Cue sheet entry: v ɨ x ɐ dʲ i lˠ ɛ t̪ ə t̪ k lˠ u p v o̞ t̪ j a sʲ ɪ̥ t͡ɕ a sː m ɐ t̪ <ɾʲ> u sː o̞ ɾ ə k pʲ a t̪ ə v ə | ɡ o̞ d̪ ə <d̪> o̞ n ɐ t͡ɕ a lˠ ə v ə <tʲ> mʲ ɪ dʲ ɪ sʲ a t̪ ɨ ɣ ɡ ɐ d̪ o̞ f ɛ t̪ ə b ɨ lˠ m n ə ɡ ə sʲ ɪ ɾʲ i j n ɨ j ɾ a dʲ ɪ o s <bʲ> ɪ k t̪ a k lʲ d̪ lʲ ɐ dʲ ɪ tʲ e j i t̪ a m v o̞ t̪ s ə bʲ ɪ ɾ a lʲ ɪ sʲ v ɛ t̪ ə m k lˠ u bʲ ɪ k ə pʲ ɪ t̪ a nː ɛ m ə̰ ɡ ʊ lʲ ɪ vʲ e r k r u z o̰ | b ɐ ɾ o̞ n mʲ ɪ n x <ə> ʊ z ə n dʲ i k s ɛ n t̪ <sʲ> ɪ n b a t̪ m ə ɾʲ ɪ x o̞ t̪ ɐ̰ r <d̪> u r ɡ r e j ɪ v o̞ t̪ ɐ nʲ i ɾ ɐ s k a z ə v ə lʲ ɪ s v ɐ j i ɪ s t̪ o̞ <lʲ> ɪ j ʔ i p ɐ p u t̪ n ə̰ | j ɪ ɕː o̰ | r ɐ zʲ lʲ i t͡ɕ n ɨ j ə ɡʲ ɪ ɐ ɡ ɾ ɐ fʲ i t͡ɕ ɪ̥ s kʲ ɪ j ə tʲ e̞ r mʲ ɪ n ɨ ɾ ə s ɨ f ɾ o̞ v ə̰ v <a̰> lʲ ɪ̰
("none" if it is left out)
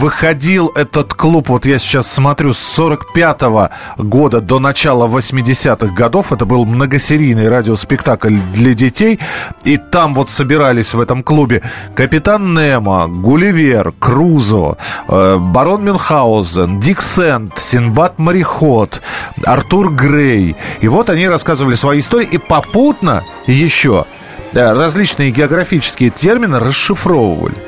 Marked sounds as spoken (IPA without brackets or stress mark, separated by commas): ɾʲ, d̪, sʲ, pʲ, a, sʲ, t̪, ɾʲ, ə̰